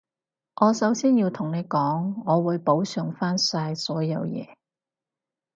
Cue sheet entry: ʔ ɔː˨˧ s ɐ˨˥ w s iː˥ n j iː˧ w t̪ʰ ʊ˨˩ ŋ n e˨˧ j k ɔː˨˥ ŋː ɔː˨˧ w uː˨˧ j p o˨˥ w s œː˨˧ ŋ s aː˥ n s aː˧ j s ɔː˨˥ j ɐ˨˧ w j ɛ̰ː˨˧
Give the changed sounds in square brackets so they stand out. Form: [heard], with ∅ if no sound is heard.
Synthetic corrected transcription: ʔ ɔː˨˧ s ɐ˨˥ w s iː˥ n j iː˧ w t̪ʰ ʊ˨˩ ŋ n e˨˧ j k ɔː˨˥ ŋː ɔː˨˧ w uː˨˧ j p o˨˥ w s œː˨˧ ŋ [f] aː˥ n s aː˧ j s ɔː˨˥ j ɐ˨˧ w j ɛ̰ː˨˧